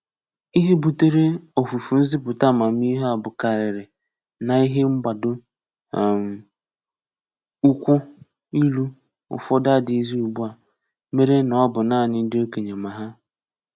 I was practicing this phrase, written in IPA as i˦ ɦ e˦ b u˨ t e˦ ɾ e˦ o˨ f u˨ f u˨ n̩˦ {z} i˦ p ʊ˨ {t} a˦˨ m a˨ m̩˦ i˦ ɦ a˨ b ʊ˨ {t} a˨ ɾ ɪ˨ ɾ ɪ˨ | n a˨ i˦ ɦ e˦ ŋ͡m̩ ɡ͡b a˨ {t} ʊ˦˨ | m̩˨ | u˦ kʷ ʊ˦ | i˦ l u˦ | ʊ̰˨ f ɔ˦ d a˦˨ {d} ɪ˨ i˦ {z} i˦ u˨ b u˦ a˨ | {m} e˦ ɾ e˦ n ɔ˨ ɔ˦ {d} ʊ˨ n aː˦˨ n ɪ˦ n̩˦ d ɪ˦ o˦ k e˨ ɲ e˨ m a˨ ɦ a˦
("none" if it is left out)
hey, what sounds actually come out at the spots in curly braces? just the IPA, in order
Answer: z, t, k, d, d, z, m, b

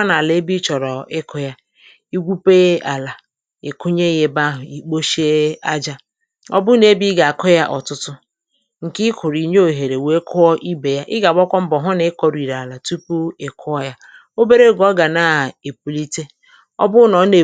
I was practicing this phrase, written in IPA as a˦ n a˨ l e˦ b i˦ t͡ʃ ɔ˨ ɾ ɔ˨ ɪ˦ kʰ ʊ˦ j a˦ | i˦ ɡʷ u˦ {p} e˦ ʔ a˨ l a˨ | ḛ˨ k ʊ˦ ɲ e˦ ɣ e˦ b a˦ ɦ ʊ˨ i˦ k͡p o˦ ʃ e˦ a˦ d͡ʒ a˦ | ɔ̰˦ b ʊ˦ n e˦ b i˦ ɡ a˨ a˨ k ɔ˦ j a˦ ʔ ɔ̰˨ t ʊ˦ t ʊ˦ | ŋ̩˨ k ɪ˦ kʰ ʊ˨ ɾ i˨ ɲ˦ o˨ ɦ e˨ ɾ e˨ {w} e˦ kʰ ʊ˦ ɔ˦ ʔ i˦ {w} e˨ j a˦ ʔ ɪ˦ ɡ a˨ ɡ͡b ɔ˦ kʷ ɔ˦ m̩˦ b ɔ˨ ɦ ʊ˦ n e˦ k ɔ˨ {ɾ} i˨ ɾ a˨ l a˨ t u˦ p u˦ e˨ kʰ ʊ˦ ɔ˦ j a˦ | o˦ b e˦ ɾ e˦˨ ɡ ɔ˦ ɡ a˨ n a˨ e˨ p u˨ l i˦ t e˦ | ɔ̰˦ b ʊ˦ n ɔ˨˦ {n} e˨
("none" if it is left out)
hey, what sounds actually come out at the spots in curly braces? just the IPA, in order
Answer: p, w, b, ɾ, n

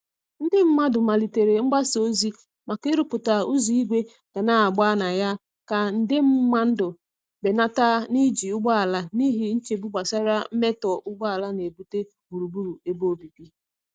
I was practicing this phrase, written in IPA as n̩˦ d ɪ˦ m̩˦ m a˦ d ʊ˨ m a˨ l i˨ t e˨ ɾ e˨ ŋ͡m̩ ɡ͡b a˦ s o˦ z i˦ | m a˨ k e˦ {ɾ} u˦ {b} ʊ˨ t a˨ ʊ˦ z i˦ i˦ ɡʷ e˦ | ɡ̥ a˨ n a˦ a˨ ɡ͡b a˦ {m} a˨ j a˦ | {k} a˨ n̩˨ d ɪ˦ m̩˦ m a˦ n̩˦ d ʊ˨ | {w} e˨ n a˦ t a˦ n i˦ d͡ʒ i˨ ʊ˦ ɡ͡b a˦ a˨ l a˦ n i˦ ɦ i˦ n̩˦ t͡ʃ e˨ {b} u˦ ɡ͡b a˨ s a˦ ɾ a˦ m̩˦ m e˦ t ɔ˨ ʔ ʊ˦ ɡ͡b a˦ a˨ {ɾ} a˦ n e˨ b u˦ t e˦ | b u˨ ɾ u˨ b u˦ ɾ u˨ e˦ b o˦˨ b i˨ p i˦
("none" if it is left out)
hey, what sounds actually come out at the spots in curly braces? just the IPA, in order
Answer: ɾ, p, n, k, b, b, l

